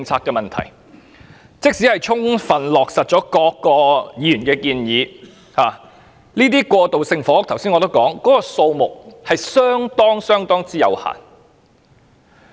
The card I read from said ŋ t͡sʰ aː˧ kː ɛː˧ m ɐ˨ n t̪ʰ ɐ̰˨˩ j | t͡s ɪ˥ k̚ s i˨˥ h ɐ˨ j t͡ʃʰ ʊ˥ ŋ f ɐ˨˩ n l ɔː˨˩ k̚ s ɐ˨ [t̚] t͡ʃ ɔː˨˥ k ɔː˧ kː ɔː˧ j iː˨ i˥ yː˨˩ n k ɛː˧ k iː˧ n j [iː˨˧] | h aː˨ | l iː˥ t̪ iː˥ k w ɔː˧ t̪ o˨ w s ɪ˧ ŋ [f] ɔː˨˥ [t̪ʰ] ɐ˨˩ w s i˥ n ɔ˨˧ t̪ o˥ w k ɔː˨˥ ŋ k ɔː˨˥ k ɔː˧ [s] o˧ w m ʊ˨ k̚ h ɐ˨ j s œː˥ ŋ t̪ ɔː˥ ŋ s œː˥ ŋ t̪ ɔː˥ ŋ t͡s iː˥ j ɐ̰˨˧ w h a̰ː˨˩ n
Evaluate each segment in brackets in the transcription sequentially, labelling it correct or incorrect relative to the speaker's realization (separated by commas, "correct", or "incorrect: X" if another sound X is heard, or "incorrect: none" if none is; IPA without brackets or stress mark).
correct, correct, correct, correct, correct